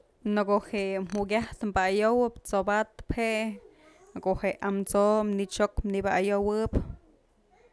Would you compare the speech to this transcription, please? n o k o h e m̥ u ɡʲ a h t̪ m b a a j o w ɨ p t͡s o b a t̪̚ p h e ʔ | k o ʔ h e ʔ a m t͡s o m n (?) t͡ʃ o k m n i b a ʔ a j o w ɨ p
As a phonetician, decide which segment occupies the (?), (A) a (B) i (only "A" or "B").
B